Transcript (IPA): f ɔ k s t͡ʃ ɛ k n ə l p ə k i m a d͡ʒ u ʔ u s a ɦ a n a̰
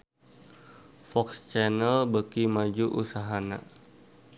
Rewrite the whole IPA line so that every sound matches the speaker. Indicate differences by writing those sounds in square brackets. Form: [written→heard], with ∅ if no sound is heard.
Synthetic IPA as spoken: f ɔ k s t͡ʃ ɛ [k→∅] n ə l [p→b] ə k i m a d͡ʒ u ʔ u s a ɦ a n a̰

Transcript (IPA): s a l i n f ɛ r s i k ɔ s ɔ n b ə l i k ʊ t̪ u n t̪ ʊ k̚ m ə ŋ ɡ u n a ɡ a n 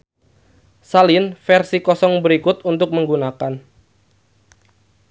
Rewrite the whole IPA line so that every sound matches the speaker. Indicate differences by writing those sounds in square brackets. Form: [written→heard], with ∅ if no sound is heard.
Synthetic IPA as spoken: s a l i n f ɛ r s i k ɔ s ɔ [n→ŋ] b ə [l→ɾ] i k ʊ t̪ u n t̪ ʊ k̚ m ə ŋ ɡ u n a [ɡ→k] a n

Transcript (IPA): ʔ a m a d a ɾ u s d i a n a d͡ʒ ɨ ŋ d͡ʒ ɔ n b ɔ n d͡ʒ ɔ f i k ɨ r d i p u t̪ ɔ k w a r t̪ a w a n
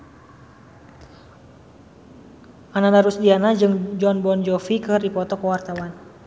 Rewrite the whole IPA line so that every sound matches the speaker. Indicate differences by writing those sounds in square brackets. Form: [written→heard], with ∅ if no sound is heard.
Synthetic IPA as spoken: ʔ a [m→n] a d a ɾ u s d i a n a d͡ʒ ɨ ŋ d͡ʒ ɔ n b ɔ n d͡ʒ ɔ f i k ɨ r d i p [u→ɔ] t̪ ɔ k w a r t̪ a w a n

